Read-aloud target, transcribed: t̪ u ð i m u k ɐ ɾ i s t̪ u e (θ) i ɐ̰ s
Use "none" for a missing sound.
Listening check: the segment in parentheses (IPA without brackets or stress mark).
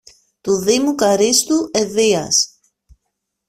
ð